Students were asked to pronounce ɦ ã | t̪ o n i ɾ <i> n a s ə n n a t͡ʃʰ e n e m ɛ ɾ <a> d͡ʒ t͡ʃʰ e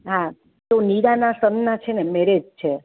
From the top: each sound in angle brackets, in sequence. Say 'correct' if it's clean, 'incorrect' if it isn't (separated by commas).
incorrect, incorrect